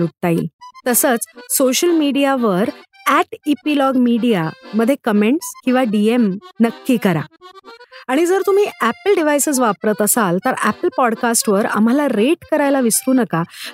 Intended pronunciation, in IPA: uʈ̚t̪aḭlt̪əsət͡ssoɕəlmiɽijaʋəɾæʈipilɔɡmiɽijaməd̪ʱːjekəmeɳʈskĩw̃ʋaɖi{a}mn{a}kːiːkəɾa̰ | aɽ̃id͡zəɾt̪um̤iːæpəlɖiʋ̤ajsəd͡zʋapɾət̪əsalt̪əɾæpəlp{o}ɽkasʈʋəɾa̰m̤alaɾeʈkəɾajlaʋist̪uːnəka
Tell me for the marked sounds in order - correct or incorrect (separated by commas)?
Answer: incorrect, incorrect, incorrect